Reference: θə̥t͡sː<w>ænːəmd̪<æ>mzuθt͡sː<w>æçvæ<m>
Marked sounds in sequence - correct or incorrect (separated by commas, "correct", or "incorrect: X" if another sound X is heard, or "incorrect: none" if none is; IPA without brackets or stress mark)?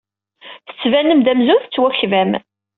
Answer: incorrect: v, correct, correct, correct